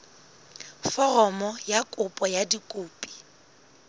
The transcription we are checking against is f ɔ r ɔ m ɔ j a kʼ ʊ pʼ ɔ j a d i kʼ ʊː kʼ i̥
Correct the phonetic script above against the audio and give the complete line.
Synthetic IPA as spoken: f ɔ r ɔ m ɔ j a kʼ ʊ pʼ ɔ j a d i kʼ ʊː pʼ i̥